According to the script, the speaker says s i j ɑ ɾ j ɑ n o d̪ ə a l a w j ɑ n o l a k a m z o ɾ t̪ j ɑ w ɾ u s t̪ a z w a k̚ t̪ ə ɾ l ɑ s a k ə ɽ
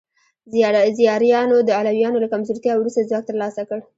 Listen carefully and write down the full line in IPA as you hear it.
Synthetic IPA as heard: z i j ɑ ɾ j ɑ n o d̪ ə a l a w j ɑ n o l a k a m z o ɾ t̪ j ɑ w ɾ u s t̪ a z w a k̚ t̪ ə ɾ l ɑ s a k ə ɽ